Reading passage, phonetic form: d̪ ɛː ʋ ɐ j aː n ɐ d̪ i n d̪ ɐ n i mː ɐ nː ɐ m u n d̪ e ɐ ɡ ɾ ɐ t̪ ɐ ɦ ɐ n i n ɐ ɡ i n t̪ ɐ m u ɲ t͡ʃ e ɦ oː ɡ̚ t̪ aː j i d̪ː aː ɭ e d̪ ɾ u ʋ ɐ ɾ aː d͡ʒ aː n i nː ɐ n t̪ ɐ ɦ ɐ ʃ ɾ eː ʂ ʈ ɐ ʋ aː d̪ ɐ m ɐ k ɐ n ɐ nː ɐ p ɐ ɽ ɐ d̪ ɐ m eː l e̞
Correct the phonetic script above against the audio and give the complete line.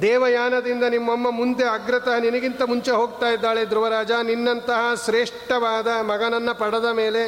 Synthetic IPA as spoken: d̪ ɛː ʋ ɐ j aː n ɐ d̪ i n d̪ ɐ n i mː ɐ mː ɐ m u n d̪ e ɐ ɡ ɾ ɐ t̪ ɐ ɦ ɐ n i n ɐ ɡ i n t̪ ɐ m u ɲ t͡ʃ e ɦ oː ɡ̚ t̪ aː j i d̪ː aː ɭ e d̪ ɾ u ʋ ɐ ɾ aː d͡ʒ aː n i nː ɐ n t̪ ɐ ɦ ɐ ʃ ɾ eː ʂ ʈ ɐ ʋ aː d̪ ɐ m ɐ ɡ ɐ n ɐ nː ɐ p ɐ ɽ ɐ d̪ ɐ m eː l e̞